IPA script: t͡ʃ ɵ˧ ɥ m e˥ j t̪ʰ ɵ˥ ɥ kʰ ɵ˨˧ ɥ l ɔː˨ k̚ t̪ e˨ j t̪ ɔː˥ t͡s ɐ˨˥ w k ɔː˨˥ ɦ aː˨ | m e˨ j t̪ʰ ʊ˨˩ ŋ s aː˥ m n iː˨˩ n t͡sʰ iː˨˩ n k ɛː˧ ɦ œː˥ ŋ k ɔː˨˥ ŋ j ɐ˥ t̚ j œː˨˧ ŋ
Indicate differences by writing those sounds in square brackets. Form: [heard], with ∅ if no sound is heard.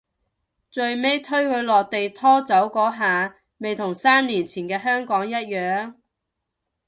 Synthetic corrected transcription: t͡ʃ ɵ˧ ɥ m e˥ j t̪ʰ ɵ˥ ɥ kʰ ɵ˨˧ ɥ l ɔː˨ k̚ t̪ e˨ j [t̪ʰ] ɔː˥ t͡s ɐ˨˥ w k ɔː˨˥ ɦ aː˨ | m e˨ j t̪ʰ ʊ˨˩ ŋ s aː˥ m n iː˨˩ n t͡sʰ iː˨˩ n k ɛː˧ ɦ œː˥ ŋ k ɔː˨˥ ŋ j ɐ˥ t̚ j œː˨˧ ŋ